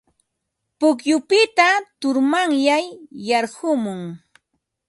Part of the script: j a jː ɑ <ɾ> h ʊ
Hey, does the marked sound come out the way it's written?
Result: yes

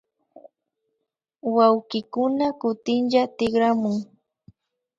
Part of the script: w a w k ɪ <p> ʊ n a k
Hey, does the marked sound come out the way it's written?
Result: no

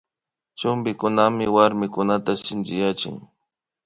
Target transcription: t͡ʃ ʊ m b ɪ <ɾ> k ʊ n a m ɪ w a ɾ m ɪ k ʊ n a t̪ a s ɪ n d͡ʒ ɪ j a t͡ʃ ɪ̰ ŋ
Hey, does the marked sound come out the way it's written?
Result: no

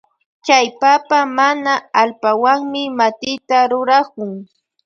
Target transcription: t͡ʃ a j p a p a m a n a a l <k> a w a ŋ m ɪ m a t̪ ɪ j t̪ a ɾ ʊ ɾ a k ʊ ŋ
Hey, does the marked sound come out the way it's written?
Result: no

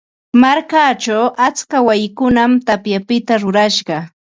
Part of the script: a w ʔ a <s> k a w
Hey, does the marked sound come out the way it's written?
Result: no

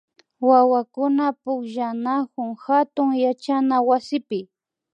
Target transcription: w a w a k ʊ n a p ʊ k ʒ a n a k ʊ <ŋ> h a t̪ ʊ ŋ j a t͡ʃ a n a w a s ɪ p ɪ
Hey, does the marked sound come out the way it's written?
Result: yes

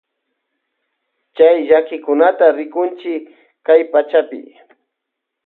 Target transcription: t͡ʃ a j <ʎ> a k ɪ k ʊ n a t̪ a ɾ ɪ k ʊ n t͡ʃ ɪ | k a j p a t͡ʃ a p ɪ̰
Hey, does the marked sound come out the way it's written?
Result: yes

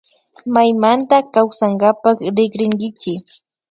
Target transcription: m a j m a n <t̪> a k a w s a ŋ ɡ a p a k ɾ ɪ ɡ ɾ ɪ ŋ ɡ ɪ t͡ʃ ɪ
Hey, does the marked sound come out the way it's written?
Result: yes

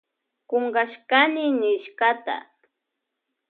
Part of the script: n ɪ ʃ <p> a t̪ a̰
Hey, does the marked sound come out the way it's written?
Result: no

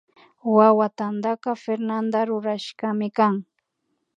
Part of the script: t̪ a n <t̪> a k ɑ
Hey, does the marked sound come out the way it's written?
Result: no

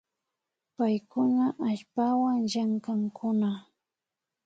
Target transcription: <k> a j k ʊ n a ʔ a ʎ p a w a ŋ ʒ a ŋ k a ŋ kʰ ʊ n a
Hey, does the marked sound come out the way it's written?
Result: no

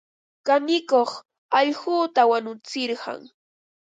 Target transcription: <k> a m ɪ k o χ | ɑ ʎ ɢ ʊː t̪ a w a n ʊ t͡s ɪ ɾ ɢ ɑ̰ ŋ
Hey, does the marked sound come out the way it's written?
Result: yes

